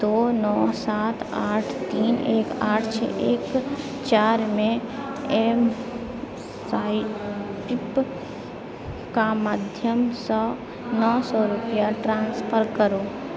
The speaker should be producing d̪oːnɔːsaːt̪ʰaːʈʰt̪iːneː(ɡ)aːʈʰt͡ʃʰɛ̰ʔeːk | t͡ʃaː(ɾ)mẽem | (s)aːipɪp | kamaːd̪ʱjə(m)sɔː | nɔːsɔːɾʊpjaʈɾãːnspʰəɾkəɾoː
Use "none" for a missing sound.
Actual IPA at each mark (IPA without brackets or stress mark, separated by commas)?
k, ɾ, s, m